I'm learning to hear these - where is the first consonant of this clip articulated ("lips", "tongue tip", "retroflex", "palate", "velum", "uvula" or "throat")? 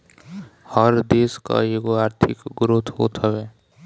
throat